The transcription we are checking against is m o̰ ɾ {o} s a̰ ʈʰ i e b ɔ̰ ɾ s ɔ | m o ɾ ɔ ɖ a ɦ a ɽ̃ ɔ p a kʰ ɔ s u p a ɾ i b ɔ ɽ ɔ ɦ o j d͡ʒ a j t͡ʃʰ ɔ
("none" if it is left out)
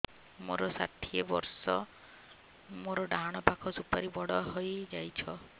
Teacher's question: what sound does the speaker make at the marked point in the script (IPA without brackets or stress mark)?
ɔ